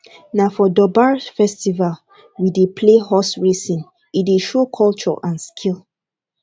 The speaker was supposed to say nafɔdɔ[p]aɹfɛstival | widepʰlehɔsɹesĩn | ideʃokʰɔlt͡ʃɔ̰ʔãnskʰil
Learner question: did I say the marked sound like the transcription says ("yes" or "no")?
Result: no